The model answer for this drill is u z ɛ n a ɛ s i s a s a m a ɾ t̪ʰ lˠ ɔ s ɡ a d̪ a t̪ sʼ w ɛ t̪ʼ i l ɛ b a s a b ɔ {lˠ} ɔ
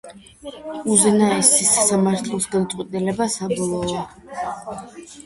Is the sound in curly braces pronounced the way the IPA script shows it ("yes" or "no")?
yes